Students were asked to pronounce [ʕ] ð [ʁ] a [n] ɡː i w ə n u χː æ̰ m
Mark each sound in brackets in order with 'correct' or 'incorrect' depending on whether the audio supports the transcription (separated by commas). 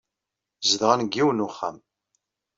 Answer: incorrect, correct, correct